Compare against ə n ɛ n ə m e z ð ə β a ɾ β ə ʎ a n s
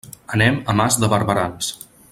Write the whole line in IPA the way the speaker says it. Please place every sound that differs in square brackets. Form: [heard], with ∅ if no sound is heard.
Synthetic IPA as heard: ə n ɛ [m] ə m [a] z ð ə β [ə] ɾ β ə [ɾ] a n s